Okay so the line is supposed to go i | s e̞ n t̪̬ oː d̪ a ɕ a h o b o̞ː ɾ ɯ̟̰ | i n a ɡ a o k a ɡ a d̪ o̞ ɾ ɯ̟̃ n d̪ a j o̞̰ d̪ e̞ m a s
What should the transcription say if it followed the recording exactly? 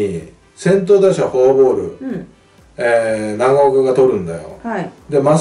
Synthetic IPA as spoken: i | s ẽ̞ n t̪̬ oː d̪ a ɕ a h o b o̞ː ɾ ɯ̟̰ | e n a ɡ a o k a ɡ a t̪ o̞ ɾ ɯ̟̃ n d̪ a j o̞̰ d̪ e̞ m a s